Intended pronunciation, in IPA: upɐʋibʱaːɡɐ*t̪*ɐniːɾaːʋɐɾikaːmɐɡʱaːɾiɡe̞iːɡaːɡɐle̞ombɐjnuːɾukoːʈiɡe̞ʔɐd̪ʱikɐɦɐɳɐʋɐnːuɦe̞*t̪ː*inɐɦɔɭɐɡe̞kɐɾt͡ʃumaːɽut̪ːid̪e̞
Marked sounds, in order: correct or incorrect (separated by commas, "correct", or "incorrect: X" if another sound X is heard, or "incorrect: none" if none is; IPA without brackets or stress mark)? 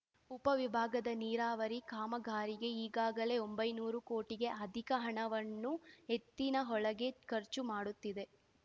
incorrect: d̪, correct